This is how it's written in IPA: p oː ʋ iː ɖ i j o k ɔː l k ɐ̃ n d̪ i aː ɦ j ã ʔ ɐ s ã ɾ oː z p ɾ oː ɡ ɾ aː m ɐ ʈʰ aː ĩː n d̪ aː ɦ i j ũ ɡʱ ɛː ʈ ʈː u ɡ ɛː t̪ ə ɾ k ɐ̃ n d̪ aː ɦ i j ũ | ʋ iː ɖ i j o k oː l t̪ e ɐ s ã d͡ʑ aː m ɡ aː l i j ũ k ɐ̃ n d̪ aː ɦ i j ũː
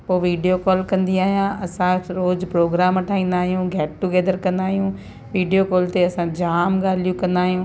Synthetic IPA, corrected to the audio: p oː ʋ iː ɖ i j o k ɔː l k ɐ̃ n d̪ i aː ɦ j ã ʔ ɐ s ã ɾ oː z p ɾ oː ɡ ɾ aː m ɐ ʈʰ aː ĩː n d̪ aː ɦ i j ũ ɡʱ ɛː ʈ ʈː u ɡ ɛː d̪ ə ɾ k ɐ̃ n d̪ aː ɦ i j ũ | ʋ iː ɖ i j o k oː l t̪ e ɐ s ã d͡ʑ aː m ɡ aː l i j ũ k ɐ̃ n d̪ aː ɦ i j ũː